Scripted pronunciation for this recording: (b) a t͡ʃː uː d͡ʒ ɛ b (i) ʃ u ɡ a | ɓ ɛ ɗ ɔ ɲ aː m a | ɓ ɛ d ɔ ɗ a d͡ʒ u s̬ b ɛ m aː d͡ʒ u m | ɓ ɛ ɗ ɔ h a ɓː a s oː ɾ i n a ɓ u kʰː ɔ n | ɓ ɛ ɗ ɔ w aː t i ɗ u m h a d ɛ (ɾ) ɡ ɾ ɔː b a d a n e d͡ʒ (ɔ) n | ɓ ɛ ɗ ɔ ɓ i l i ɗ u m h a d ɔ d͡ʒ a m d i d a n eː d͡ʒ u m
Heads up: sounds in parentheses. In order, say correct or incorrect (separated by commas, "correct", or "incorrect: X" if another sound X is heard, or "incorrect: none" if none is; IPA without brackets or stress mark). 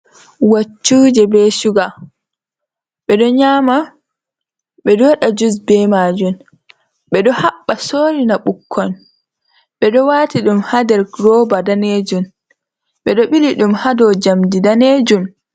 incorrect: w, incorrect: ɛ, correct, incorrect: u